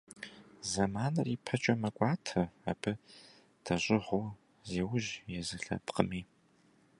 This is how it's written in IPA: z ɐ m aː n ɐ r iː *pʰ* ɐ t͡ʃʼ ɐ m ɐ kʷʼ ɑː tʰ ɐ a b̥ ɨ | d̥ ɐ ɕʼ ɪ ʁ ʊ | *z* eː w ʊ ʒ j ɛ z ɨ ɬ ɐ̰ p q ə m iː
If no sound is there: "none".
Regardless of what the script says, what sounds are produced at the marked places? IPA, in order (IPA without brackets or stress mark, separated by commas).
pʰ, z